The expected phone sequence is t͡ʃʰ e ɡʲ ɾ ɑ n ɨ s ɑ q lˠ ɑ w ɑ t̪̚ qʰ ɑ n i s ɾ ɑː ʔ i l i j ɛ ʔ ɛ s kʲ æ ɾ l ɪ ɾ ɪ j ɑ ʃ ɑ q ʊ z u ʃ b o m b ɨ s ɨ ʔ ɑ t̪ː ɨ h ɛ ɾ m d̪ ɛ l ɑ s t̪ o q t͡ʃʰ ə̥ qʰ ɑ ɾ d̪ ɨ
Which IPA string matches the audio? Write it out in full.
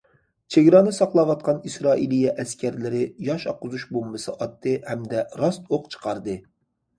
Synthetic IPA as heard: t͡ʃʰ e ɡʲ ɾ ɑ n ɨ s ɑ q lˠ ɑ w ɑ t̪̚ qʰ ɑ n i s ɾ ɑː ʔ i l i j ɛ ʔ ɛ s kʲ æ ɾ l ɪ ɾ ɪ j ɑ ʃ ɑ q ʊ z u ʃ b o m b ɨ s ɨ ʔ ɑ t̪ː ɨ h ɛ m d̪ ɛ ɾ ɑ s t̪ o q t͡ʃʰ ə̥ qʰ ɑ ɾ d̪ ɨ